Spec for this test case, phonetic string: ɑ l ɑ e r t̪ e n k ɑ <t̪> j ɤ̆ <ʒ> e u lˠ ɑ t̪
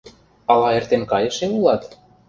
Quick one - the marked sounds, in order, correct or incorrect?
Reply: incorrect: none, incorrect: ʃ

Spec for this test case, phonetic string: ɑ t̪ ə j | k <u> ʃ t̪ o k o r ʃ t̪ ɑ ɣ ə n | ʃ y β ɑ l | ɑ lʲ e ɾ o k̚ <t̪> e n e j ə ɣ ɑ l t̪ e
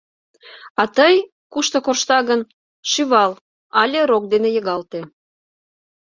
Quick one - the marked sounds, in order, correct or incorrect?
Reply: correct, incorrect: d̪

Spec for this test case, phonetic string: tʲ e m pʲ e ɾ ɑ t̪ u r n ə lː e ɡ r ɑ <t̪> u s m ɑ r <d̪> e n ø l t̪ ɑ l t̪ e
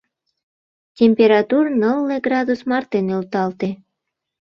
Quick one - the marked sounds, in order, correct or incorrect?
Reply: incorrect: d̪, incorrect: t̪

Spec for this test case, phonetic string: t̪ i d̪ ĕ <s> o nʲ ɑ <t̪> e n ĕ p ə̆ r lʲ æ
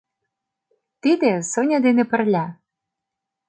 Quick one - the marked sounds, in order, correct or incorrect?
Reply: correct, incorrect: d̪

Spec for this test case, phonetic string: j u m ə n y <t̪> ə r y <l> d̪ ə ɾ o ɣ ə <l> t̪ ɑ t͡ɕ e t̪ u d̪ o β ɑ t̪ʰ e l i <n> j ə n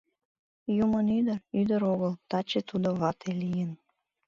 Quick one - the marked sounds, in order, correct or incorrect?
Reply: incorrect: d̪, incorrect: none, correct, incorrect: none

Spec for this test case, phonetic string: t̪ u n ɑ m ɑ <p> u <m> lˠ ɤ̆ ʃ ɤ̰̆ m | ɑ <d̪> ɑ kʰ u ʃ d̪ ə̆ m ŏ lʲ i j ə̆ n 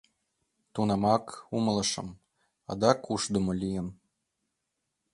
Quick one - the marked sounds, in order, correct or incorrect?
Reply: incorrect: k, correct, correct

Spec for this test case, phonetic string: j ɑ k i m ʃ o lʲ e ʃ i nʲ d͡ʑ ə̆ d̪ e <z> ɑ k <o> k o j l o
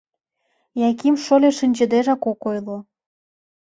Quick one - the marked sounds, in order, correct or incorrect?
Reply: incorrect: ʒ, correct

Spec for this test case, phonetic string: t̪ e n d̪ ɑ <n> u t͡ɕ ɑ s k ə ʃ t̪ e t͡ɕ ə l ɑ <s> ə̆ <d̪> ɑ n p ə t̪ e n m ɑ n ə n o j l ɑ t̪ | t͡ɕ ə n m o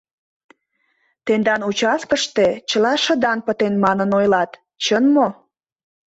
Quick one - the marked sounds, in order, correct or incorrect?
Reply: correct, incorrect: ʃ, correct

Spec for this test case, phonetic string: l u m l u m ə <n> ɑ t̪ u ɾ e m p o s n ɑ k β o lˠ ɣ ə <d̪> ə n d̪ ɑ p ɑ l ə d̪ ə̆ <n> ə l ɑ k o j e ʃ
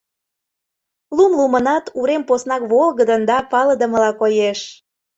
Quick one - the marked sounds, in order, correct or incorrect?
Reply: correct, correct, incorrect: m

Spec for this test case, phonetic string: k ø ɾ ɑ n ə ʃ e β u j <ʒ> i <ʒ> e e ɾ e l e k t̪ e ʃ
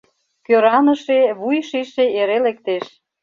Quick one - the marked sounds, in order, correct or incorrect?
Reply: incorrect: ʃ, incorrect: ʃ

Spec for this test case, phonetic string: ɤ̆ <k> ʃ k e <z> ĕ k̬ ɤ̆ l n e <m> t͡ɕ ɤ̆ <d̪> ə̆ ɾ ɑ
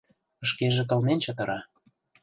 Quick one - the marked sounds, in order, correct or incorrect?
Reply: incorrect: none, incorrect: ʒ, incorrect: n, incorrect: t̪

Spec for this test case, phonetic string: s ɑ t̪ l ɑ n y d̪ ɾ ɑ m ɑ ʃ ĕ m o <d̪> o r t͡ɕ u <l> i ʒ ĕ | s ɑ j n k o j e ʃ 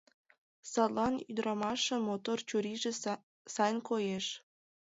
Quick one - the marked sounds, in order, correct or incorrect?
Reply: incorrect: t̪, incorrect: ɾ

